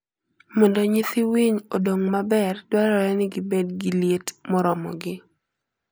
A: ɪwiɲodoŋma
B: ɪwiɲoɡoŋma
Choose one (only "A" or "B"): A